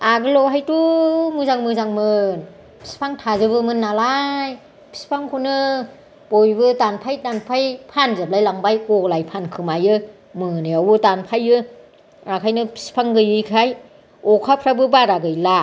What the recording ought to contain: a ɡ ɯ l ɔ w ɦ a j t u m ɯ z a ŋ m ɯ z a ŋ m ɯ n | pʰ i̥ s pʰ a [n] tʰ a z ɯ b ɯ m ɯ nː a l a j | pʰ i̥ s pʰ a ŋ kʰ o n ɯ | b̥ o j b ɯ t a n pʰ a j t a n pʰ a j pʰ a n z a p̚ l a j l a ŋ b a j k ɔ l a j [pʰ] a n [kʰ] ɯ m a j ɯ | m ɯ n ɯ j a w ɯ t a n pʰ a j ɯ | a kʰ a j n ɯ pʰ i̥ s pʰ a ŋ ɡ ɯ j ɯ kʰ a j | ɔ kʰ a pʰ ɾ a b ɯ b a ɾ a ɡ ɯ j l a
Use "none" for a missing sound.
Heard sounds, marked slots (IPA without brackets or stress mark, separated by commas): ŋ, pʰ, kʰ